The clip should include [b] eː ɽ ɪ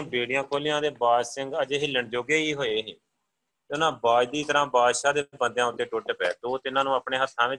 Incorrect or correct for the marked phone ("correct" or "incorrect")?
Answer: correct